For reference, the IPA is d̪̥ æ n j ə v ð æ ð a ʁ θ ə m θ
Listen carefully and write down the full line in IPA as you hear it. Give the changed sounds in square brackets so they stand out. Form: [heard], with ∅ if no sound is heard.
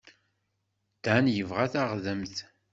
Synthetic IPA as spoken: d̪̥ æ n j ə v [ʁ] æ [θ] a ʁ [ð] ə m θ